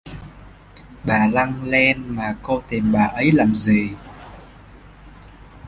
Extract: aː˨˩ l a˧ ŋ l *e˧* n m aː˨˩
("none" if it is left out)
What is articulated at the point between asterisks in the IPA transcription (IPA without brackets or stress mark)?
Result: ɛ˧